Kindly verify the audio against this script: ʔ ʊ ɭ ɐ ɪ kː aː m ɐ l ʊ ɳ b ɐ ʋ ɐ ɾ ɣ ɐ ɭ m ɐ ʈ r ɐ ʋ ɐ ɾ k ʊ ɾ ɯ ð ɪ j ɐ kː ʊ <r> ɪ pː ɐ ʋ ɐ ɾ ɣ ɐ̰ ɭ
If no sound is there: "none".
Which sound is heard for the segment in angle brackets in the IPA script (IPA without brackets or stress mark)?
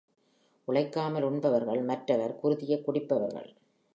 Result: ɽ